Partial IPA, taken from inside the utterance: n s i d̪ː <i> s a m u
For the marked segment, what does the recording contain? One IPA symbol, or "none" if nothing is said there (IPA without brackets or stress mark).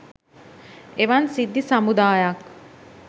i